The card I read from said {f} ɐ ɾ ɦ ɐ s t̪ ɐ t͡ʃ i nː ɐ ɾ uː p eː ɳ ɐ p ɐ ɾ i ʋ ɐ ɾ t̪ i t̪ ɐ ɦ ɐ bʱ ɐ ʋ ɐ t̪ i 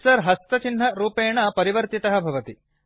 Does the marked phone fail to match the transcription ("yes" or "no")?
yes